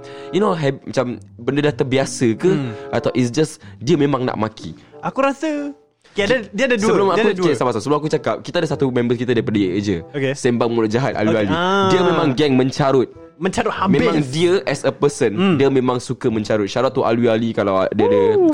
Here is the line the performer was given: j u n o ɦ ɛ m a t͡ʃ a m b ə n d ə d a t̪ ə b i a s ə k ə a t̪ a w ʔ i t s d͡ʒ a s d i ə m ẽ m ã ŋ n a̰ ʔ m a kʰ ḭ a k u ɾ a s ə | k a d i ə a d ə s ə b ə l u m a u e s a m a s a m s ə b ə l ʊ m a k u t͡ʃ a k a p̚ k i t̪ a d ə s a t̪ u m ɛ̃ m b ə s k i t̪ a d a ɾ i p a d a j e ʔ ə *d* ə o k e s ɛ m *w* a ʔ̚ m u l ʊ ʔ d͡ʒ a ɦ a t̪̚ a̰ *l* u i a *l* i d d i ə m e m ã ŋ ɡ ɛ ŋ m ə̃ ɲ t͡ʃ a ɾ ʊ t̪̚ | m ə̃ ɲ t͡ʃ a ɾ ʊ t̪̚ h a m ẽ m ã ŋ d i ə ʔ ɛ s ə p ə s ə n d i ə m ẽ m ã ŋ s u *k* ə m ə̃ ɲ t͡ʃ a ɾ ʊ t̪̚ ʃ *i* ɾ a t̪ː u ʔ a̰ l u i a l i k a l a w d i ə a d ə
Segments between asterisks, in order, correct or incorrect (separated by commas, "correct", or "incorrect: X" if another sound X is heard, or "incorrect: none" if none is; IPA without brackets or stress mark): incorrect: d͡ʒ, incorrect: b, correct, correct, correct, incorrect: a